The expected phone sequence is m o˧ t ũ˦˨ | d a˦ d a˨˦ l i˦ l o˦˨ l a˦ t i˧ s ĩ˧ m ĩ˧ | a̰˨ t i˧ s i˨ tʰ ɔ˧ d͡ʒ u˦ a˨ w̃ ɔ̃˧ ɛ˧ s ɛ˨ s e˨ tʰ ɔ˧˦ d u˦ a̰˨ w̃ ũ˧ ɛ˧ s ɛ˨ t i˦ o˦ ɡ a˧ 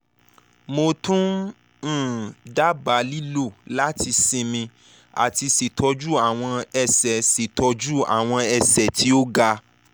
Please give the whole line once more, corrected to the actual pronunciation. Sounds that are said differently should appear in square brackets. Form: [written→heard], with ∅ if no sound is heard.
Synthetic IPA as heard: m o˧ t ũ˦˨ | d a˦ [d→b] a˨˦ l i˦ l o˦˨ l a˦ t i˧ s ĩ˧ m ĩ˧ | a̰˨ t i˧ s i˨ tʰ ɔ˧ d͡ʒ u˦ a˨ w̃ ɔ̃˧ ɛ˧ s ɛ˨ s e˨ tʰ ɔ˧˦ [d→d͡ʒ] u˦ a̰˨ w̃ [ũ˧→ɔ̃˧] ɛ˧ s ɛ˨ t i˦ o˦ ɡ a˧